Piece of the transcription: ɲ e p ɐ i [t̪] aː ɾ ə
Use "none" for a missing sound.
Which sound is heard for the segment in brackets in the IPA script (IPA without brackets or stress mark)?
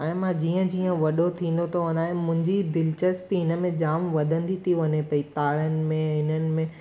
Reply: t̪